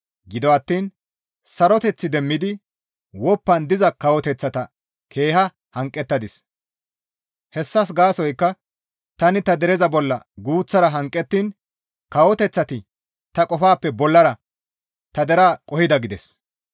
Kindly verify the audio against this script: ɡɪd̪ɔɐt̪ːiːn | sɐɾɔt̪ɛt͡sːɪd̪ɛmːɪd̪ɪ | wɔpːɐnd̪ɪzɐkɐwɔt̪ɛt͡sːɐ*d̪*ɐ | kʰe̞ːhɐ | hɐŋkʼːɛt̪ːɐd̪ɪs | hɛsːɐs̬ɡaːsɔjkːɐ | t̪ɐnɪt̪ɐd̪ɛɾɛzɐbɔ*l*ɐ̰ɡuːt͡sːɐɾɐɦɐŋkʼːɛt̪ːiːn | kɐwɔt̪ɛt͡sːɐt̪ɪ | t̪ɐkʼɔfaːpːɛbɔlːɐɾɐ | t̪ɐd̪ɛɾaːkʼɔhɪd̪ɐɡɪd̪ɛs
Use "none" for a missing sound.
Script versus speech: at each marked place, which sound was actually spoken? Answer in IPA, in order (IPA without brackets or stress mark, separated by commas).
t̪, lː